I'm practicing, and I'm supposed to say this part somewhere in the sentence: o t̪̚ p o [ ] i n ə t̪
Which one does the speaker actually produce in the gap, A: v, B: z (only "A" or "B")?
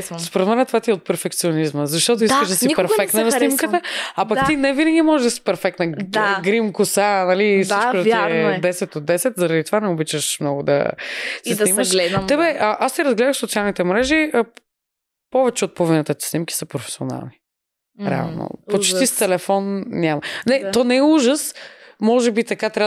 A